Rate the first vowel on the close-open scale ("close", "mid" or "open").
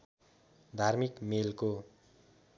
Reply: open